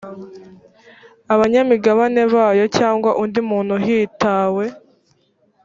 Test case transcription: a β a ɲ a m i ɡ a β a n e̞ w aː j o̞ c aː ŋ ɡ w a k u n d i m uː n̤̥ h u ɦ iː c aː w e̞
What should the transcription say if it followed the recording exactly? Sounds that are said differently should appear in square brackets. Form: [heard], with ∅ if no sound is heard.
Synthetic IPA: a β a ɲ a m i ɡ a β a n e̞ [β] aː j o̞ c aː ŋ ɡ w a [ʔ] u n d i m uː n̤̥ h u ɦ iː [t] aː w e̞